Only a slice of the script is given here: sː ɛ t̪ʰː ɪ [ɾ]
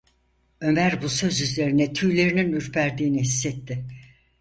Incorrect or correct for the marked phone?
incorrect: none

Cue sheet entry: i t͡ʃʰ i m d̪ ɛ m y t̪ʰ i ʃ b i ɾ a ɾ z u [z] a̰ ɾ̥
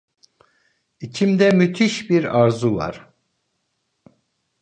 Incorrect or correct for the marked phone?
incorrect: v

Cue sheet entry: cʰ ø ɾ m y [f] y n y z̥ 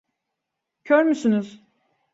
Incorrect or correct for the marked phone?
incorrect: s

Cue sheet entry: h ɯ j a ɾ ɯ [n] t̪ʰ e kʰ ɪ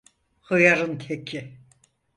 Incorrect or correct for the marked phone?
correct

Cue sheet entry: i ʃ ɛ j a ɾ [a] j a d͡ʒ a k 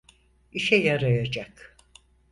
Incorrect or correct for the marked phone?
correct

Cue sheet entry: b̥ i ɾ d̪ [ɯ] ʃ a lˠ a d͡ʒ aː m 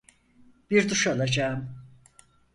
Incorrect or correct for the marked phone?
incorrect: u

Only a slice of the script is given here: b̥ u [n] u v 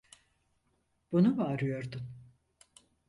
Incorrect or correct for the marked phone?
correct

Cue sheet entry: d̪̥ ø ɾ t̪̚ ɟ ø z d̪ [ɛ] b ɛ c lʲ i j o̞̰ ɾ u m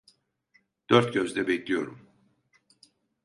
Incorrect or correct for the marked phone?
correct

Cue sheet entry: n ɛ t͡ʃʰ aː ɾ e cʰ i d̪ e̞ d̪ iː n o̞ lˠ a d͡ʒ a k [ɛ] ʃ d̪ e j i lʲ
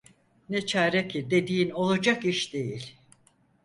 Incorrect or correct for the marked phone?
incorrect: i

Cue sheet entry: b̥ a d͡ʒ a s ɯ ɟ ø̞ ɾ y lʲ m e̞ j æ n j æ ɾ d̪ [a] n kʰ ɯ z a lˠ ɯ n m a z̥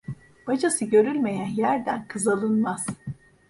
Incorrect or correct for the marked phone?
incorrect: æ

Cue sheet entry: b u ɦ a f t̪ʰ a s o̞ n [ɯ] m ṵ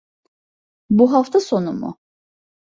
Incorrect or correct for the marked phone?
incorrect: u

